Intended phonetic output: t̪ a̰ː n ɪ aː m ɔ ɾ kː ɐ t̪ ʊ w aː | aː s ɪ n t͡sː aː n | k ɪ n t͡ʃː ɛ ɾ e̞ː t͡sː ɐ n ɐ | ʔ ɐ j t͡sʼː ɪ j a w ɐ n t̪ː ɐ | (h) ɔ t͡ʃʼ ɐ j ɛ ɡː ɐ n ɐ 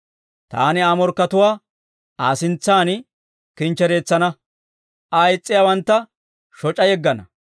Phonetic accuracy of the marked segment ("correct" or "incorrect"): incorrect